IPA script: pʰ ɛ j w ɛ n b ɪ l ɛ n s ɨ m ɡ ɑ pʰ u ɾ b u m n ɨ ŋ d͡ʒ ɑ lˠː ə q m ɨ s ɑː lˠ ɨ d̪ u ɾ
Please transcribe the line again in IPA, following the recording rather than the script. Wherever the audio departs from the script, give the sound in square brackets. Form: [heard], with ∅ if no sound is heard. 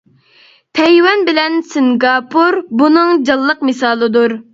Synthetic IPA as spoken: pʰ ɛ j w ɛ n b ɪ l ɛ n s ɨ [ŋ] ɡ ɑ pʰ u ɾ b u [∅] n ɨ ŋ d͡ʒ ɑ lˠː ə q m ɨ s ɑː lˠ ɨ d̪ u ɾ